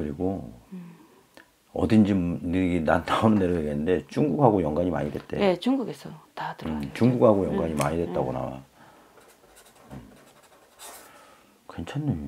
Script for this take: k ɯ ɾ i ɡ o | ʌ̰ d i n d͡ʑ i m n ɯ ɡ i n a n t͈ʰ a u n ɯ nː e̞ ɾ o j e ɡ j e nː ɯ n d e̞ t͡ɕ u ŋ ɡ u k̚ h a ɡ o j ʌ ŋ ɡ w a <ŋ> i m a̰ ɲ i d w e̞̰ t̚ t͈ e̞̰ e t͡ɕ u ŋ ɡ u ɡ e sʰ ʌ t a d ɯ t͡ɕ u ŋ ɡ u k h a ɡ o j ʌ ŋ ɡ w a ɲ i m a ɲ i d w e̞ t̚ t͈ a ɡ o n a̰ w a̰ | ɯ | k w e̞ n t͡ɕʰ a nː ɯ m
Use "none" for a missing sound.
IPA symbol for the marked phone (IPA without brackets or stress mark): ɲ